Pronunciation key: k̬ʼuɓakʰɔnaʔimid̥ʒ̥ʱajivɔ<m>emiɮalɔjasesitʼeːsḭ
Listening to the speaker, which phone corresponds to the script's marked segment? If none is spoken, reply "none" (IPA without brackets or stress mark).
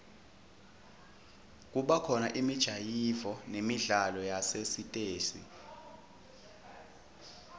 n